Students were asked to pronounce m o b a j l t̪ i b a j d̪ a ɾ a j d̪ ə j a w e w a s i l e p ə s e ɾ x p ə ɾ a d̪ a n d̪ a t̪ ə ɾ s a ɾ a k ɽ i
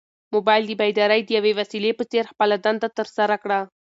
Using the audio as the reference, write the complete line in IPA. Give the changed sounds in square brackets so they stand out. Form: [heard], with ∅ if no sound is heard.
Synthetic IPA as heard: m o b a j l [d̪] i b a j d̪ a ɾ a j d̪ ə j a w e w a s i l e p ə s e ɾ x p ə [l] a d̪ a n d̪ a t̪ ə ɾ s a ɾ a k ɽ [a]